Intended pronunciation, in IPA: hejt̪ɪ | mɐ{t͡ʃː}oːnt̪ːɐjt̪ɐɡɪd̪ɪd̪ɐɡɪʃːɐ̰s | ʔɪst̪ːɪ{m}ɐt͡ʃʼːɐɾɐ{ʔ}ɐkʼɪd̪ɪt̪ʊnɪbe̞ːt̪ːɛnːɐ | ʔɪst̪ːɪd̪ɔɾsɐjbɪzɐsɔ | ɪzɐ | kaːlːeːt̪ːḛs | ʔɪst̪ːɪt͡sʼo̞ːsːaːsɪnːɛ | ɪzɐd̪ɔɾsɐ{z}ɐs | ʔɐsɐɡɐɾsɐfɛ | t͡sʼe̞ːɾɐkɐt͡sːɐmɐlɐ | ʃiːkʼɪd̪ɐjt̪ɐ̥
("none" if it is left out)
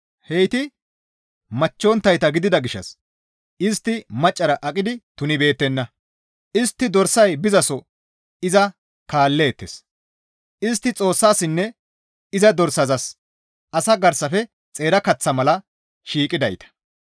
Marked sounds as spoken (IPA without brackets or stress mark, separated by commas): t͡ʃː, m, ʔ, z